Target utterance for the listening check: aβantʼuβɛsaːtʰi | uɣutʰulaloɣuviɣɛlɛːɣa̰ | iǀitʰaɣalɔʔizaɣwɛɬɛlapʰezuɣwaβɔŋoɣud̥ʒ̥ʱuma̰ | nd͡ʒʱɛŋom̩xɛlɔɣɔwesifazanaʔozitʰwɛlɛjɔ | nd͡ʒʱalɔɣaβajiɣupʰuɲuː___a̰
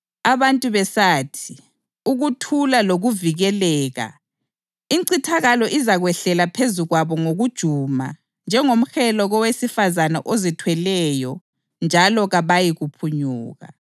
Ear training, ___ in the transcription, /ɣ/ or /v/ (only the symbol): ɣ